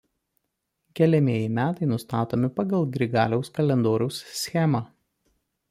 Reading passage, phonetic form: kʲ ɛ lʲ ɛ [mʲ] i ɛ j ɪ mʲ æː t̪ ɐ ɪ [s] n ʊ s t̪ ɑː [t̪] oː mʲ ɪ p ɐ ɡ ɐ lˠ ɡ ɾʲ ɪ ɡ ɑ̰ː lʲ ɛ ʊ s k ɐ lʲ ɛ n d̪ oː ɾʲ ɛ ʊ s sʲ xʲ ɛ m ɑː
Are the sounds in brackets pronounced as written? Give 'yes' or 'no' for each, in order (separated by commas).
yes, no, yes